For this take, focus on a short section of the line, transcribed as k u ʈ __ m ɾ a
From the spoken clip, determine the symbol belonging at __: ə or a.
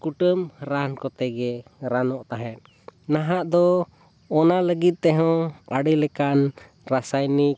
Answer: ə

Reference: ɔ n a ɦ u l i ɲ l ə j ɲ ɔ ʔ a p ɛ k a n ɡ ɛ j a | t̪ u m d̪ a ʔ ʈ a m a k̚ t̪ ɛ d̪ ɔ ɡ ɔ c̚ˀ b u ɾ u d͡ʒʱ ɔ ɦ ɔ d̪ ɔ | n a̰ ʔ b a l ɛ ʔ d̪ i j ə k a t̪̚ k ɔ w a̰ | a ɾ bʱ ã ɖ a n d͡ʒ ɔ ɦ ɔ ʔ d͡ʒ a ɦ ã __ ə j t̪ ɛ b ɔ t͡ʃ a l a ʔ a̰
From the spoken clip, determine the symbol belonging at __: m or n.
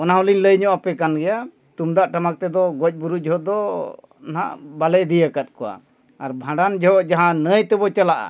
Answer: n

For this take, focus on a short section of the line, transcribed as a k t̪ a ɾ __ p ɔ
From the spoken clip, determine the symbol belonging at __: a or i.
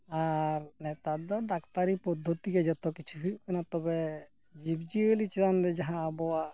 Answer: i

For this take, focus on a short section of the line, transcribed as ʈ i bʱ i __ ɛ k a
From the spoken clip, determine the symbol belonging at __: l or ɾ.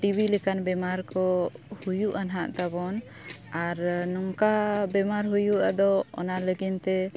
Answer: l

